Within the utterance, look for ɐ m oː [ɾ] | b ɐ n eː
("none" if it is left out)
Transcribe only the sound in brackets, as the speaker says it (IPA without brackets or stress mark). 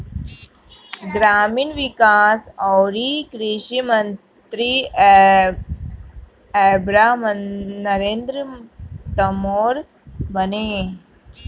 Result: ɾ